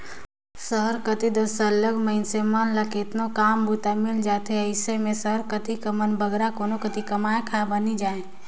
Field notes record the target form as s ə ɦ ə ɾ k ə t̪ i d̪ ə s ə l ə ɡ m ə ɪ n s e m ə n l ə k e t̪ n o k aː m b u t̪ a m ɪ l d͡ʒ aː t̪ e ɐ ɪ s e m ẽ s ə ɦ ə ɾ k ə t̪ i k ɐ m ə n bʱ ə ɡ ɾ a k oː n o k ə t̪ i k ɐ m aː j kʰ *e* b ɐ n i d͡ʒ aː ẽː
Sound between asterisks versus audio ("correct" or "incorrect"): incorrect